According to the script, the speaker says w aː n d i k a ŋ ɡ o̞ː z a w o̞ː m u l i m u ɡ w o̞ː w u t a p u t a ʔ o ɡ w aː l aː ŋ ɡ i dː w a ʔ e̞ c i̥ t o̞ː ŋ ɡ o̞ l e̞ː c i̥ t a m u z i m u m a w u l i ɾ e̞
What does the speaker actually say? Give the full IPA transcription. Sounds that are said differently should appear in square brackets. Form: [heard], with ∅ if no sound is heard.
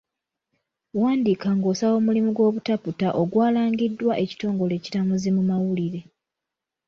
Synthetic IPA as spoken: w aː n d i k a ŋ ɡ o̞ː [s] a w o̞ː m u l i m u ɡ w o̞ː [β] u t a p u t a ʔ o ɡ w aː l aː ŋ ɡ i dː w a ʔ e̞ c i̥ t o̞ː ŋ ɡ o̞ l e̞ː c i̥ t a m u z i m u m a w u l i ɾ e̞